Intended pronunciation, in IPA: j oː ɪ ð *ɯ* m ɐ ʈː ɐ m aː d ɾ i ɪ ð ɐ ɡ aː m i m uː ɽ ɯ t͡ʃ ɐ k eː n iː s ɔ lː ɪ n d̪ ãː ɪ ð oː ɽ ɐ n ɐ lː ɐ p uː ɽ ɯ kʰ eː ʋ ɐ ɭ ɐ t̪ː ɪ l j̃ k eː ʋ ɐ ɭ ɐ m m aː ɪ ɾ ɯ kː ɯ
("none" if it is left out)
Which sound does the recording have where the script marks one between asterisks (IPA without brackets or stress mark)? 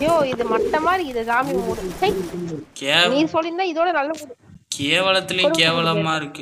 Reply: ɯ